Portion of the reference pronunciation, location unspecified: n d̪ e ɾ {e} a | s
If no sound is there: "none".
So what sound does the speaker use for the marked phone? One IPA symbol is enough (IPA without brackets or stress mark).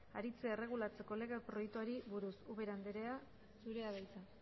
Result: e